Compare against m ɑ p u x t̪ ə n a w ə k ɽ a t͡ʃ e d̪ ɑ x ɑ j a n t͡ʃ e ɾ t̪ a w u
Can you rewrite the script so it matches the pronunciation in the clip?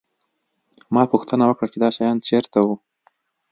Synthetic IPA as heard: m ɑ p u x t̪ ə n a w ə k ɽ a t͡ʃ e d̪ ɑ ʃ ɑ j ɑ n t͡ʃ e ɾ t̪ a w u